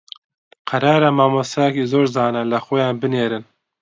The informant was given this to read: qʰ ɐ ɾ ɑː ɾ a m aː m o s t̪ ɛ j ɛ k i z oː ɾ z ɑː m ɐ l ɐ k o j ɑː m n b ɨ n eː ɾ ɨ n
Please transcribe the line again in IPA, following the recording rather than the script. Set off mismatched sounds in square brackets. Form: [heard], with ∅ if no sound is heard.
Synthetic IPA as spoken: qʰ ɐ ɾ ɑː ɾ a m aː m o s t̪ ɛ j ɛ k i z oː ɾ z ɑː [n] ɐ l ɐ [x] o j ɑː [∅] n b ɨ n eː ɾ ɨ n